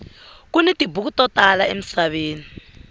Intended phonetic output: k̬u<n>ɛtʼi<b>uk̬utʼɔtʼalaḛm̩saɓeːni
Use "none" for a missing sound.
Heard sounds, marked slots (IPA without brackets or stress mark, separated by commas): n, b